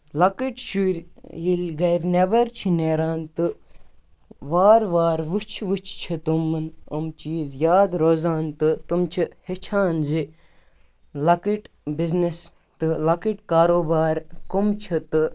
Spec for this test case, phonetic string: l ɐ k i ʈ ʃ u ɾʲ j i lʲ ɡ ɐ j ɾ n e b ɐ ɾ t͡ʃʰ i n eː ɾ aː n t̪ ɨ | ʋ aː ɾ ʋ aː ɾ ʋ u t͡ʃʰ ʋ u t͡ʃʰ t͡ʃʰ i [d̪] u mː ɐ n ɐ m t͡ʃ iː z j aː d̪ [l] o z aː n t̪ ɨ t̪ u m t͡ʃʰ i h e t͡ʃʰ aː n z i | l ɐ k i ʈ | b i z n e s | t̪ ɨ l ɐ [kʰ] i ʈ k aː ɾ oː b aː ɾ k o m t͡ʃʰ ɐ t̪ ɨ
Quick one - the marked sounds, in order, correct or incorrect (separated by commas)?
incorrect, incorrect, incorrect